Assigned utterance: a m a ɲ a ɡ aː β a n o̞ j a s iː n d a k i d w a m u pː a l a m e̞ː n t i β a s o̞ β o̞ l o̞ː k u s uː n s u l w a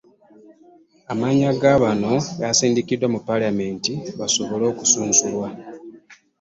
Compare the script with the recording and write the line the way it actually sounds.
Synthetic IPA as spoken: a m a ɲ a ɡ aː β a n o̞ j a s iː n d i k i d w a m u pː a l a m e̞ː n t i β a s o̞ β o̞ l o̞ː k u s uː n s u l w a